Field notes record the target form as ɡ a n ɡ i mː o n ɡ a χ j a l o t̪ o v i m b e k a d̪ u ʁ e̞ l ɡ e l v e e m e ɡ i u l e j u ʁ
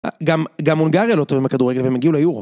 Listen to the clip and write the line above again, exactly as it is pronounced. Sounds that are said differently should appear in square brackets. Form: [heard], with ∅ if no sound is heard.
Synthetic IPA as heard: ɡ a [m] ɡ [a] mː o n ɡ a [ʁ] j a l o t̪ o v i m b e k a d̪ u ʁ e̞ [∅] ɡ e l v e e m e ɡ i u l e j u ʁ